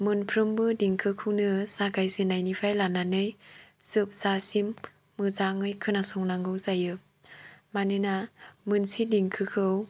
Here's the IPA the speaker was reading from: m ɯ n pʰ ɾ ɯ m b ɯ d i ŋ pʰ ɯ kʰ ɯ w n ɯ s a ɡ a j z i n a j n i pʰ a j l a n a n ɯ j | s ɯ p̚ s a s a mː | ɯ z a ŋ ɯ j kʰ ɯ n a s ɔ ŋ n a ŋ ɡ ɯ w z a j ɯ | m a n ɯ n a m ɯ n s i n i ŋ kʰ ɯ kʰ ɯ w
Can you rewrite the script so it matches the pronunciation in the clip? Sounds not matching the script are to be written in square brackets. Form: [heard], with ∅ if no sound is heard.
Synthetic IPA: m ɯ n pʰ ɾ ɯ m b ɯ d i ŋ [kʰ] ɯ kʰ ɯ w n ɯ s a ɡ a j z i n a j n i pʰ a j l a n a n ɯ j | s ɯ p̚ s a s [i] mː | ɯ z a ŋ ɯ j kʰ ɯ n a s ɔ ŋ n a ŋ ɡ ɯ w z a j ɯ | m a n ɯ n a m ɯ n s i [d] i ŋ kʰ ɯ kʰ ɯ w

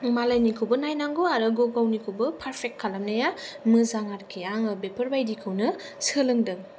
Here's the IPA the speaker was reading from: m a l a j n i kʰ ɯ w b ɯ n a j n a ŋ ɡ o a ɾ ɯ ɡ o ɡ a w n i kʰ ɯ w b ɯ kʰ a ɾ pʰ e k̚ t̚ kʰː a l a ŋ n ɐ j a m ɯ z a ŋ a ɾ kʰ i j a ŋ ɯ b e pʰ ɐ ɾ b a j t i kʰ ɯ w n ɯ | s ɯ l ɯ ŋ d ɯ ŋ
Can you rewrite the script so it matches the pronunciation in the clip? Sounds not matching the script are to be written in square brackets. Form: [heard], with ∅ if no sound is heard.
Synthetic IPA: m a l a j n i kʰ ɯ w b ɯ n a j n a ŋ ɡ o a ɾ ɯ ɡ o ɡ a w n i kʰ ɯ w b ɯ [pʰ] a ɾ pʰ e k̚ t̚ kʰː a l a [m] n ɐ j a m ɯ z a ŋ a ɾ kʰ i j a ŋ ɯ b e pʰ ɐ ɾ b a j [d] i kʰ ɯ w n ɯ | s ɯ l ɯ ŋ d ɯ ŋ

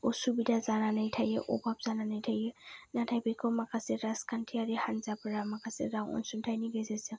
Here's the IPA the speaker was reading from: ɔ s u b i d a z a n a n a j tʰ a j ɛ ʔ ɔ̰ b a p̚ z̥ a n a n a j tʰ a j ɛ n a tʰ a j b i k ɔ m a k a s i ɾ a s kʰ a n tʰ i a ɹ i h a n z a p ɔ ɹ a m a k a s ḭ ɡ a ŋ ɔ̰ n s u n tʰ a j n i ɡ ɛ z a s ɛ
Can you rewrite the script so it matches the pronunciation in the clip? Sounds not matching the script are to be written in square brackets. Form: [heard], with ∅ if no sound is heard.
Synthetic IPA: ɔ s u b i d a z a n a n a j tʰ a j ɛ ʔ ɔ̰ b a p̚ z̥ a n a n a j tʰ a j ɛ n a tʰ a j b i k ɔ m a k a s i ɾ a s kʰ a n tʰ i a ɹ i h a n z a p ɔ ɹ a m a k a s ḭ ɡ a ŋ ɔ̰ n s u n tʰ a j n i ɡ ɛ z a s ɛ

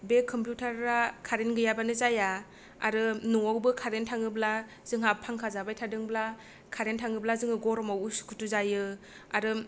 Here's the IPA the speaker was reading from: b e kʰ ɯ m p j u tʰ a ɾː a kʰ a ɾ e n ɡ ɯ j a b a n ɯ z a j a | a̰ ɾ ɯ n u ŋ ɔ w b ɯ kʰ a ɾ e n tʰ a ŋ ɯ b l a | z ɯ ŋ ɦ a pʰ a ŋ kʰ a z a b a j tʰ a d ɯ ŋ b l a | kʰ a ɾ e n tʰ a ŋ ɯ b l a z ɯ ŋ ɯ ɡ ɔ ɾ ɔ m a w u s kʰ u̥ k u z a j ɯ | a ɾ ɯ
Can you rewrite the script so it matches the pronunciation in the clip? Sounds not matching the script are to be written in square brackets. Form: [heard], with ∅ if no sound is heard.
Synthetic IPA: b e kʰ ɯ m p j u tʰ a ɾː a kʰ a ɾ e n ɡ ɯ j a b a n ɯ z a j a | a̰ ɾ ɯ n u ŋ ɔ w b ɯ kʰ a ɾ e n tʰ a ŋ ɯ b l a | z ɯ ŋ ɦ a pʰ a ŋ kʰ a z a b a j tʰ a d ɯ ŋ b l a | kʰ a ɾ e n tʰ a ŋ ɯ b l a z ɯ ŋ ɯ ɡ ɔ ɾ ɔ m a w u s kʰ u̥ [t] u z a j ɯ | a ɾ ɯ

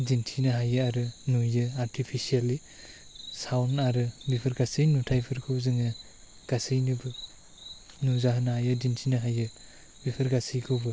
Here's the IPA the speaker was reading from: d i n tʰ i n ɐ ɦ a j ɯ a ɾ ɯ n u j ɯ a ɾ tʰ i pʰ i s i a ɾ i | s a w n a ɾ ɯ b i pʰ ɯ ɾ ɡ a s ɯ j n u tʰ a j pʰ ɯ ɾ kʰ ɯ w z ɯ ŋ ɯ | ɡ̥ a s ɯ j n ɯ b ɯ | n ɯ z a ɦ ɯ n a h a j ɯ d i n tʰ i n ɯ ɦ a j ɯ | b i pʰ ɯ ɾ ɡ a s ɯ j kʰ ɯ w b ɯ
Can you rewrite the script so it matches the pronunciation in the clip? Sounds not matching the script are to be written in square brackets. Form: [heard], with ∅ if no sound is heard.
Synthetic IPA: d i n tʰ i n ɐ ɦ a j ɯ a ɾ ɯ n u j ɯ a ɾ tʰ i pʰ i s i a [l] i | s a w n a ɾ ɯ b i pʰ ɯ ɾ ɡ a s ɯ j n u tʰ a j pʰ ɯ ɾ kʰ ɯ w z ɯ ŋ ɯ | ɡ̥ a s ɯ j n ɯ b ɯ | n [u] z a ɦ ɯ n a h a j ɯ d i n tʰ i n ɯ ɦ a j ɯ | b i pʰ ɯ ɾ ɡ a s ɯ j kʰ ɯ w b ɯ

